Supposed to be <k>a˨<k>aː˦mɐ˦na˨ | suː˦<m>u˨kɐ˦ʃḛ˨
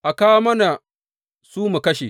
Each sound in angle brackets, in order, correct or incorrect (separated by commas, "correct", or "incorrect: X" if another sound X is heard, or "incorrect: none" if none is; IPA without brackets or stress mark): incorrect: ʔ, correct, correct